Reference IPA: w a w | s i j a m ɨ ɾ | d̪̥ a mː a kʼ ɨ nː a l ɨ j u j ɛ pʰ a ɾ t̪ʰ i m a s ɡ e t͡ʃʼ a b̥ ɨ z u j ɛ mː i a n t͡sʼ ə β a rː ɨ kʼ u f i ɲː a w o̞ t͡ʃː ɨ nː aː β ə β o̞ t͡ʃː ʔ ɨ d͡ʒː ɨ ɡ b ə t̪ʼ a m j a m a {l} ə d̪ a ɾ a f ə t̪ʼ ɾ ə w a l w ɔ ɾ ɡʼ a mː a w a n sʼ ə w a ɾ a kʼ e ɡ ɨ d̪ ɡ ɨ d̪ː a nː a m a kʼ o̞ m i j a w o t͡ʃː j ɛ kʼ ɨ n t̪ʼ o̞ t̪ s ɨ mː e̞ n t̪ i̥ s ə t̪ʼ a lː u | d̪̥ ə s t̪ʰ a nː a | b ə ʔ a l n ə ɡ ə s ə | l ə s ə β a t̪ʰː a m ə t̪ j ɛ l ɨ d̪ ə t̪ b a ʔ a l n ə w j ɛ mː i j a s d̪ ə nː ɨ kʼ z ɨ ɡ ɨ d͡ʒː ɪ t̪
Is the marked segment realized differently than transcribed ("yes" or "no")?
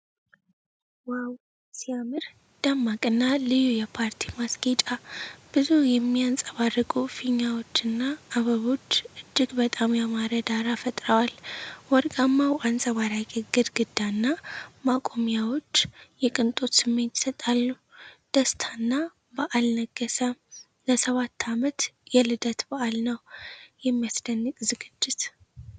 yes